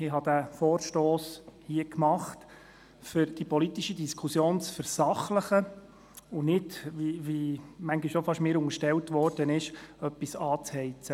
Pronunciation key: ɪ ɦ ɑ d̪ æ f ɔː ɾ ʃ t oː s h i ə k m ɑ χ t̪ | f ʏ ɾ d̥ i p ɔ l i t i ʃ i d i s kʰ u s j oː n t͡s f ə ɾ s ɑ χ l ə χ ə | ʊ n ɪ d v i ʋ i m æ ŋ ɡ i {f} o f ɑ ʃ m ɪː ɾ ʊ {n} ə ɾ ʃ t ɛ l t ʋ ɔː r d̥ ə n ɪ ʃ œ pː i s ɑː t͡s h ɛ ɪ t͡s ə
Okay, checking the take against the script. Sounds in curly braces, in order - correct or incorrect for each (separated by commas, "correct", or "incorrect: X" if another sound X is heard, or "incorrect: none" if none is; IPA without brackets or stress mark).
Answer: incorrect: ʃ, incorrect: ŋ